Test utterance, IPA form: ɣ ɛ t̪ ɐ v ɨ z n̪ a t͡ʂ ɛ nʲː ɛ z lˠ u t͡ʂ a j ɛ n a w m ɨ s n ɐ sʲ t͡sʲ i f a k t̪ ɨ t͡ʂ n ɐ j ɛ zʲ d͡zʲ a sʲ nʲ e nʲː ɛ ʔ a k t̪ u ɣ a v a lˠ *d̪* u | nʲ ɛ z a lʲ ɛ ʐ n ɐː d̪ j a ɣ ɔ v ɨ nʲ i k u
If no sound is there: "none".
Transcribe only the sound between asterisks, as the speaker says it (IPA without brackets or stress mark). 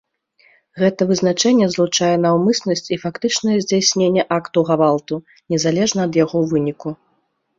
t̪